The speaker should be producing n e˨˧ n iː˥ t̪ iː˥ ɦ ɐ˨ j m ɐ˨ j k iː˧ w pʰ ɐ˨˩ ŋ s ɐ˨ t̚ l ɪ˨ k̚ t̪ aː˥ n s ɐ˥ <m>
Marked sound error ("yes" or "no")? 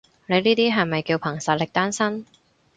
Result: yes